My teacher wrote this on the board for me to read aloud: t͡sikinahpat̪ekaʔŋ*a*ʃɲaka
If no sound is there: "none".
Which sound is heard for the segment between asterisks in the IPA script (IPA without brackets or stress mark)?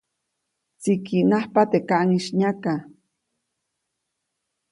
i